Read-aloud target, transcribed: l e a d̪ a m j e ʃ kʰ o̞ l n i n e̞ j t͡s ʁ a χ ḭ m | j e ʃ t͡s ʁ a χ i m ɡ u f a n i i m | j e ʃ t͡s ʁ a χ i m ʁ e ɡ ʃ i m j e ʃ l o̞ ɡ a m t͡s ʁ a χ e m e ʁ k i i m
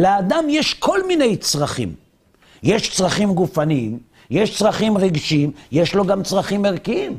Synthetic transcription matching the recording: l e a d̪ a m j e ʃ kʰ o̞ l m i n e̞ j t͡s ʁ a χ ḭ m | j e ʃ t͡s ʁ a χ i m ɡ u f a n i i m | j e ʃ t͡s ʁ a χ i m ʁ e ɡ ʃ i m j e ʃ l o̞ ɡ a m t͡s ʁ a χ i m e ʁ k i i m